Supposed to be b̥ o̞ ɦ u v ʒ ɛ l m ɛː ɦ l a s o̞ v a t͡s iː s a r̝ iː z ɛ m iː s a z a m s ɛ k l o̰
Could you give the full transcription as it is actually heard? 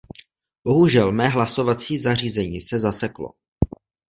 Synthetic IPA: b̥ o̞ ɦ u ʒ ɛ l m ɛː ɦ l a s o̞ v a t͡s iː z a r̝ iː z ɛ ɲ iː s ɛ z a s ɛ k l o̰